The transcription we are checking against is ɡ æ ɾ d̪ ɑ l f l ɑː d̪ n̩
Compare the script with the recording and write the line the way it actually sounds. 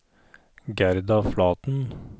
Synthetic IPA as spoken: ɡ æ ɾ d̪ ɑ f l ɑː t̪ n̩